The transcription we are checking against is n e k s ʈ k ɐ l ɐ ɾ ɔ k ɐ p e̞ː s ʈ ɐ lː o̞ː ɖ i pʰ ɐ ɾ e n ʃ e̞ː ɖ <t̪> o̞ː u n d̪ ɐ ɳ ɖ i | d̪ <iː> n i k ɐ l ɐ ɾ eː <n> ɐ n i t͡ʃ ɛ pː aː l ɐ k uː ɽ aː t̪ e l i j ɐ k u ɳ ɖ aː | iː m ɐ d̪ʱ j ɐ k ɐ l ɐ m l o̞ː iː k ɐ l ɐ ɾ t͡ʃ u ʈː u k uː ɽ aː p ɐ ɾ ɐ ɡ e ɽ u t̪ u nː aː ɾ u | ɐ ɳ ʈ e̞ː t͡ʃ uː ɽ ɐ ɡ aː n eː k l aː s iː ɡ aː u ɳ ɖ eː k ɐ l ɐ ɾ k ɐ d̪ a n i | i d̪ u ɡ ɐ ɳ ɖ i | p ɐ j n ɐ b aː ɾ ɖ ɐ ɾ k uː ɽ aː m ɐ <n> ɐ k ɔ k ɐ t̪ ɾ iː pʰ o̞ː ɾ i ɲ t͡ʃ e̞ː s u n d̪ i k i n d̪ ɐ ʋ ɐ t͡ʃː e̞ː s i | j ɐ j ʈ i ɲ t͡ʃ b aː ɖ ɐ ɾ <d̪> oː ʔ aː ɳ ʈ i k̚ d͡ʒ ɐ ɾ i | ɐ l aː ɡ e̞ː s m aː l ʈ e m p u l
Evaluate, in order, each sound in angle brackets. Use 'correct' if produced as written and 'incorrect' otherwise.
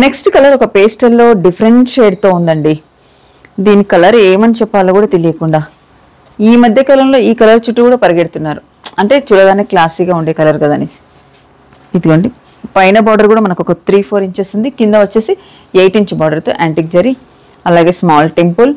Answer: correct, correct, incorrect: m, correct, incorrect: t̪

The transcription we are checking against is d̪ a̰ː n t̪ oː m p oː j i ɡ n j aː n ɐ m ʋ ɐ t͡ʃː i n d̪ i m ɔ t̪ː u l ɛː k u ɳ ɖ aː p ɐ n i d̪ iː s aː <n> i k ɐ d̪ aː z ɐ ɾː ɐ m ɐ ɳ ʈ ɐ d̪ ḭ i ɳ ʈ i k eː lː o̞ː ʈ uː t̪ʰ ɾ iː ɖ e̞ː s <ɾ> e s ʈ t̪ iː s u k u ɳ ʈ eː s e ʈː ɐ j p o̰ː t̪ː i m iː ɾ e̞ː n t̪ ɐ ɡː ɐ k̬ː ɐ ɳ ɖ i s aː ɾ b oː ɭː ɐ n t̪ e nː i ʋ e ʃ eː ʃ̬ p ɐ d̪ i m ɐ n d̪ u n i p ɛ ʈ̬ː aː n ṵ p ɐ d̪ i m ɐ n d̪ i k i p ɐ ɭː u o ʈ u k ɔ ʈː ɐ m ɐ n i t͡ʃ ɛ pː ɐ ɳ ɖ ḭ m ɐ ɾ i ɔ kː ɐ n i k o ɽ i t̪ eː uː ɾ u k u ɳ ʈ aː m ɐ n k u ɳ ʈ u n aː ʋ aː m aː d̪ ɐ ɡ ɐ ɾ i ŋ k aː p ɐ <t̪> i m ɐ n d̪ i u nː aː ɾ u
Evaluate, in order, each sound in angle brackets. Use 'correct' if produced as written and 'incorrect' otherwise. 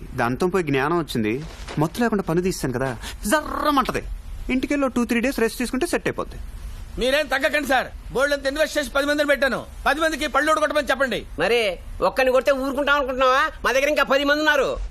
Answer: correct, correct, incorrect: d̪

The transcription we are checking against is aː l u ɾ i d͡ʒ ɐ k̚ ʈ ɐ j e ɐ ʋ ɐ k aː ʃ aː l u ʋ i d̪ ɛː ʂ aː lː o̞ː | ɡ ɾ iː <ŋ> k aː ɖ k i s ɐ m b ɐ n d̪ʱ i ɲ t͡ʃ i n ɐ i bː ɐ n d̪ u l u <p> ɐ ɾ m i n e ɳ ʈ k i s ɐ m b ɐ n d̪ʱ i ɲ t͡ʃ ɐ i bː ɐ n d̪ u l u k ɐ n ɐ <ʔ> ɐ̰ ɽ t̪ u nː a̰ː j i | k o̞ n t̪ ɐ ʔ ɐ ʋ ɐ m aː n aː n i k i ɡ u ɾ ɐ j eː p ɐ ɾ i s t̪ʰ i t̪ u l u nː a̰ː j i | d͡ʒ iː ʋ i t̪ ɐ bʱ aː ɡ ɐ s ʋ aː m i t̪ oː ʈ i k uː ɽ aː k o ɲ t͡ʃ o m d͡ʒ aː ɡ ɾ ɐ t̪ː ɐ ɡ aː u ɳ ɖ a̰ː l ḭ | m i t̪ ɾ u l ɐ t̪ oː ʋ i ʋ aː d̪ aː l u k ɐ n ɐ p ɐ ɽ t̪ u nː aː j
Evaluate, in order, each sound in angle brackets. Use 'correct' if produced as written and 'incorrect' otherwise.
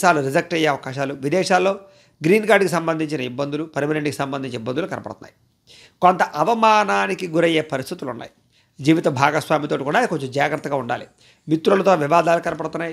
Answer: incorrect: n, correct, incorrect: p

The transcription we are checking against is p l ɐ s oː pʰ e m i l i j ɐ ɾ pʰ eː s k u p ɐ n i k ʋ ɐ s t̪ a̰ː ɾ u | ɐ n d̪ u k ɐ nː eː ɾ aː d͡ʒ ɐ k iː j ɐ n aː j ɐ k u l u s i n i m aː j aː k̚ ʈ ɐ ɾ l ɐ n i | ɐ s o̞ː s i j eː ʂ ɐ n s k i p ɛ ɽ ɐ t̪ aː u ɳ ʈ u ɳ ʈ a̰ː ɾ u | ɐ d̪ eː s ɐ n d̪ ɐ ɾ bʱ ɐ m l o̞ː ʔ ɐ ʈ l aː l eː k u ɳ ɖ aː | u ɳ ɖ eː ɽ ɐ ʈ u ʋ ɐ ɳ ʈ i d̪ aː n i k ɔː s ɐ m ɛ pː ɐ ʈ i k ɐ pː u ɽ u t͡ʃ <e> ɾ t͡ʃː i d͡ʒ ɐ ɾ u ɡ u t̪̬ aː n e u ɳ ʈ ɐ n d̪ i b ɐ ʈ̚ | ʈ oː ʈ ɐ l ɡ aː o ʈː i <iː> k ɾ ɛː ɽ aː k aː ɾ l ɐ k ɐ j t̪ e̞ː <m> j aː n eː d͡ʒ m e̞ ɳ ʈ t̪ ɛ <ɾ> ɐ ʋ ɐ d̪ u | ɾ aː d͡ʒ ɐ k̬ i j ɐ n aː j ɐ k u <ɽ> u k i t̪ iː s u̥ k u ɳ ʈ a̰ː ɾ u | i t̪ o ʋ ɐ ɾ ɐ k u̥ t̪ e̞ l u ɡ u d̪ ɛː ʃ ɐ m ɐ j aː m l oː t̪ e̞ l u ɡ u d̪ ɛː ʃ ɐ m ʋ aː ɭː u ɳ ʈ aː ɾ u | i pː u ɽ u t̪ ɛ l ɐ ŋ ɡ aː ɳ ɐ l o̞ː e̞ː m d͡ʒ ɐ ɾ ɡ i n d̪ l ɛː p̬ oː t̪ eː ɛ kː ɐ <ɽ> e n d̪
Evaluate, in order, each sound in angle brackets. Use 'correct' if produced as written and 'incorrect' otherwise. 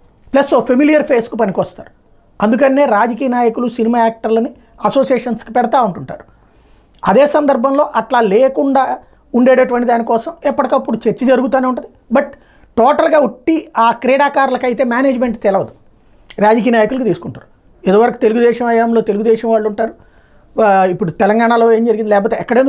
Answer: correct, incorrect: aː, correct, incorrect: l, incorrect: l, correct

